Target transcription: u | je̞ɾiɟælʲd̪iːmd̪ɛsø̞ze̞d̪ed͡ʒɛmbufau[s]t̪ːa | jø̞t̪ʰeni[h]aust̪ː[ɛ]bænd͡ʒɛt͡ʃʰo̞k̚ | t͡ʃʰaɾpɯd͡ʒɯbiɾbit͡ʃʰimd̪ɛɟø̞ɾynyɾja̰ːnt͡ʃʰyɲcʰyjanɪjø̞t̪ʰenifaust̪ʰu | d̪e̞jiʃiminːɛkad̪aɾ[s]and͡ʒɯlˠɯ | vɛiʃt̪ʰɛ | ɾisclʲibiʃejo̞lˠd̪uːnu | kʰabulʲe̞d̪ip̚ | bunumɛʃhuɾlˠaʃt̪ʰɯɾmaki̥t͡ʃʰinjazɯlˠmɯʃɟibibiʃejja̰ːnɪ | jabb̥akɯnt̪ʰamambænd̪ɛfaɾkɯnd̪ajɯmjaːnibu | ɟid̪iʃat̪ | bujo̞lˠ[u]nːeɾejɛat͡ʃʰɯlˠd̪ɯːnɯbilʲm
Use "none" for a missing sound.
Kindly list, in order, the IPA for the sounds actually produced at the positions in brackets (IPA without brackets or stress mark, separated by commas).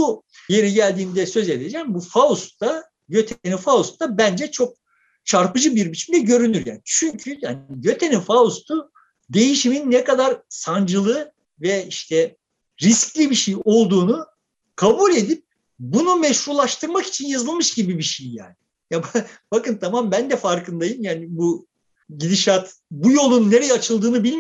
s, f, a, s, u